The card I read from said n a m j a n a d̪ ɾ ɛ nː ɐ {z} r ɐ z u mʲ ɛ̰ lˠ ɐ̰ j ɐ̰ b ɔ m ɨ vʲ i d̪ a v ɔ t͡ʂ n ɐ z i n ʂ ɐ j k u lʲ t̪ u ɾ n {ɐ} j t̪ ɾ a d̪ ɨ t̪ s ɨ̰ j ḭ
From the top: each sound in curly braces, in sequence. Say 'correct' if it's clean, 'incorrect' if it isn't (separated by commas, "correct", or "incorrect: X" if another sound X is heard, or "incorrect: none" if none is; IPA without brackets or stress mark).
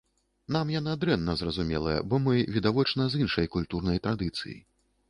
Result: correct, correct